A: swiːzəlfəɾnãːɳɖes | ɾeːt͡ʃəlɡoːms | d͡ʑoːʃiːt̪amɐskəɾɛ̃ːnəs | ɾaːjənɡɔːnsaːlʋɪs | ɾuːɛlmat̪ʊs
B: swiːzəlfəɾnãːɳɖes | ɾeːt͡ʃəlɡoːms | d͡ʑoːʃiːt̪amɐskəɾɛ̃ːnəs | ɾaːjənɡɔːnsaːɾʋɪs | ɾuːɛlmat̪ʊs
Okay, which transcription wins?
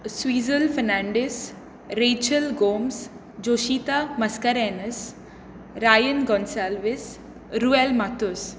A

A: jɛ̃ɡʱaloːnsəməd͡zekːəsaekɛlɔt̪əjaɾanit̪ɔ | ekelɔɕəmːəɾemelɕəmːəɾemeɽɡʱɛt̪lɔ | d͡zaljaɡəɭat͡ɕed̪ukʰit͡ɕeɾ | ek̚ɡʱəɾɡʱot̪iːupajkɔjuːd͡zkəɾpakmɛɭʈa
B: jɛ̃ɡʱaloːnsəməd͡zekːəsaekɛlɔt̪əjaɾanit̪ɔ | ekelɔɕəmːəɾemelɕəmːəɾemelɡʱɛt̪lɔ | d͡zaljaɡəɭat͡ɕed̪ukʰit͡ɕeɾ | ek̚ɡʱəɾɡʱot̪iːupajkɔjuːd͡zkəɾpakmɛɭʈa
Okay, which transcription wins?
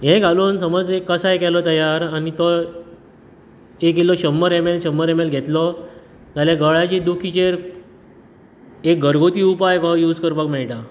B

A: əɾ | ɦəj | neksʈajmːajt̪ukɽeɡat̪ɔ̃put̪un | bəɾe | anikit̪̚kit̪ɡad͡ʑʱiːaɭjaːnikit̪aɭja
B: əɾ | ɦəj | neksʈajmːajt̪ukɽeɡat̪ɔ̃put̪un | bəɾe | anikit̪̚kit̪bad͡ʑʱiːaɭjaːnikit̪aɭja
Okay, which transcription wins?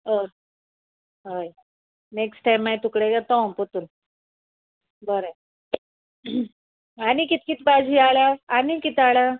B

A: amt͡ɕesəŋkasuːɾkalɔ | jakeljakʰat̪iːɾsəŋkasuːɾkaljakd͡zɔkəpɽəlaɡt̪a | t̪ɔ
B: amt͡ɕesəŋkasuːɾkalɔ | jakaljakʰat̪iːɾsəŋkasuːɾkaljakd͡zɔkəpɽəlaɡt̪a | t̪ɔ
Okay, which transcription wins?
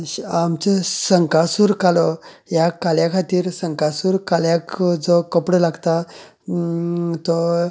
B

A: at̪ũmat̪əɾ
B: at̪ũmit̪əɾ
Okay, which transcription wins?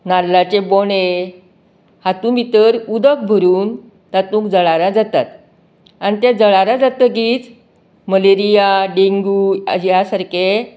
B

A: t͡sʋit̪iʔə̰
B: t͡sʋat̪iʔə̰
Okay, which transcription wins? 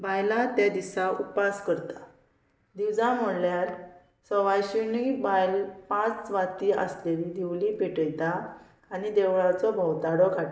B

